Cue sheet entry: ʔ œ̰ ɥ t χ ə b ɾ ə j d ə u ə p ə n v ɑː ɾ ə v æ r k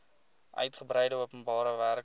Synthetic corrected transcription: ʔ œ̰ ɥ t χ ə b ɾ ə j d ə u ə p ə n b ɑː ɾ ə v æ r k